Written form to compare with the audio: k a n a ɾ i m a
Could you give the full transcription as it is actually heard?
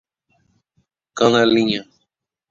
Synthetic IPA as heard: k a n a l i ɲ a